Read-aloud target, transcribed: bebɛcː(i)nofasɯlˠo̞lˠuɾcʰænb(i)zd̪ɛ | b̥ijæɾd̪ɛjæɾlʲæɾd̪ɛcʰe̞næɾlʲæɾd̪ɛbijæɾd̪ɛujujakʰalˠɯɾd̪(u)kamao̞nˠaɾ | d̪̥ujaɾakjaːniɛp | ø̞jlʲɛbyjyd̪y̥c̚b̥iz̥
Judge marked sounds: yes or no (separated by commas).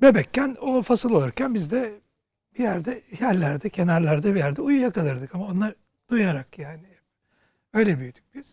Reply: no, yes, no